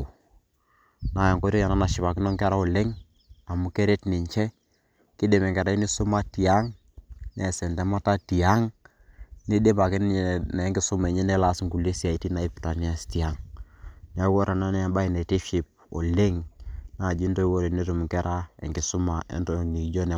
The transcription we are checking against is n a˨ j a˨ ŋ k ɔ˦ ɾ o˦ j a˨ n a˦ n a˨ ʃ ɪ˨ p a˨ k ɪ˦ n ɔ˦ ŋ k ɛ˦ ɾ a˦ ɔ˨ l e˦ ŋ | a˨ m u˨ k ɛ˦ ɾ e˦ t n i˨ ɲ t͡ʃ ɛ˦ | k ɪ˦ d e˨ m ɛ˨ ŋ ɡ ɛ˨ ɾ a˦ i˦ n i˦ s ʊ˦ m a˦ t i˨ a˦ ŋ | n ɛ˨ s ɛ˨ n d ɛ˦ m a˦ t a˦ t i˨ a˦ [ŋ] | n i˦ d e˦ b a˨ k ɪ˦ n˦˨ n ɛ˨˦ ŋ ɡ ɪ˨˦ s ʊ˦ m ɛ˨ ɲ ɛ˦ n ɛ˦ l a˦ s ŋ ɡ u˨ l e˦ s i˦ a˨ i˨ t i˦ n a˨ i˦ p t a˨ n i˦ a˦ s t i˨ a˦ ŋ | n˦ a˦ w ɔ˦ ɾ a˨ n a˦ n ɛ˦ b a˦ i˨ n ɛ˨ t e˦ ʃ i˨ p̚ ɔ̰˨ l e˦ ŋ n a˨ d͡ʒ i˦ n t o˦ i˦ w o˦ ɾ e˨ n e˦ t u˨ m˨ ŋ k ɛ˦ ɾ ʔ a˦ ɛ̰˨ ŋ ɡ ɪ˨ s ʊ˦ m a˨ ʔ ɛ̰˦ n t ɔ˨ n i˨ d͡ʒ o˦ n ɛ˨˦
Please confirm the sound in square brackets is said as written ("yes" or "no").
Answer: yes